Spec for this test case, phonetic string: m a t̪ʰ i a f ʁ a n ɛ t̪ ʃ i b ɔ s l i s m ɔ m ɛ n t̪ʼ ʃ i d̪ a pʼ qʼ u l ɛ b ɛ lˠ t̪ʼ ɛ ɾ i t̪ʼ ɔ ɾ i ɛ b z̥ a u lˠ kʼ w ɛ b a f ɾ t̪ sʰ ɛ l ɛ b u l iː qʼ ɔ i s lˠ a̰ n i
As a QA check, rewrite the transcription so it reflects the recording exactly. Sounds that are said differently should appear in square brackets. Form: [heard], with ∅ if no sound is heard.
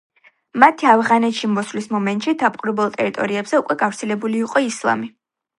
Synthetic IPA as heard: m a t̪ʰ i a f ʁ a n ɛ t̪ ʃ i [m] ɔ s l i s m ɔ m ɛ n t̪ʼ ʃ i d̪ a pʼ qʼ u [ɾ] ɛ b ɛ lˠ t̪ʼ ɛ ɾ i t̪ʼ ɔ ɾ i ɛ b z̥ [ɛ] u [∅] kʼ w ɛ [ɡ] a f ɾ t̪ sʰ ɛ l ɛ b u l iː qʼ ɔ i s lˠ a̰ [m] i